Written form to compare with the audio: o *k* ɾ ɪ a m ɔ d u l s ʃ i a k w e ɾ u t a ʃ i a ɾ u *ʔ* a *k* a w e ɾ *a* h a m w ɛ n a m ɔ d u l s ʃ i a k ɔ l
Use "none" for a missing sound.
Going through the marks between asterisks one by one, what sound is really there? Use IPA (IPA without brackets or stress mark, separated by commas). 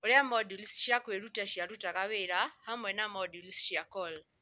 none, t, k, a